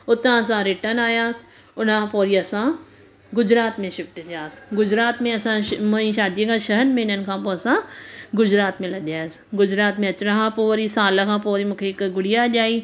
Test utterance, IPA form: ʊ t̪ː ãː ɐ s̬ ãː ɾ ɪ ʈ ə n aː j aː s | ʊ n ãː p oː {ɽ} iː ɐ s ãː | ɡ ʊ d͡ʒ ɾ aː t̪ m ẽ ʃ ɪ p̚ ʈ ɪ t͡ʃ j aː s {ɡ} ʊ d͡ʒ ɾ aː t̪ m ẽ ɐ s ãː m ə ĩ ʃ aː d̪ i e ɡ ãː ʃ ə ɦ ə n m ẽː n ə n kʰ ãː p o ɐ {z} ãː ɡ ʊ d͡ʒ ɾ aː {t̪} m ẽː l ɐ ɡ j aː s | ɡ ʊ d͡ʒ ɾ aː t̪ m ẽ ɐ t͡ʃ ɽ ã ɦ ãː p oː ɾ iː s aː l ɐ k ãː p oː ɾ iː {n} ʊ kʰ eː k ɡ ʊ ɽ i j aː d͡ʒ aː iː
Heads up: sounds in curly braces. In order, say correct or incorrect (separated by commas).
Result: incorrect, correct, incorrect, correct, incorrect